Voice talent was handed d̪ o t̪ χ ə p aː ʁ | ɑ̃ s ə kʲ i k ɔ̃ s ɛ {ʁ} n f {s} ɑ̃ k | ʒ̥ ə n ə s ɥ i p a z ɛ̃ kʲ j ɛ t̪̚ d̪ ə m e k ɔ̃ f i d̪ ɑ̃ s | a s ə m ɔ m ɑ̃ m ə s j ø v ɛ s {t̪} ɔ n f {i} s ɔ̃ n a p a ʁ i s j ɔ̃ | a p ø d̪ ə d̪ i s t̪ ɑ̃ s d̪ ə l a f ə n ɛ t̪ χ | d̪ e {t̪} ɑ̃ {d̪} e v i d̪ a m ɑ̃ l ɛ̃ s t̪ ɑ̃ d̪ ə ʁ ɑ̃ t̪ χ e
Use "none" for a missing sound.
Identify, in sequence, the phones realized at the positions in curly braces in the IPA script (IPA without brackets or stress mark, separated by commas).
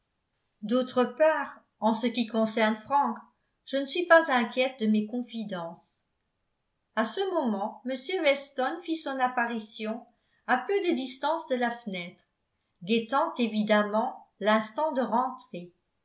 ʁ, χ, t̪, i, t̪, t̪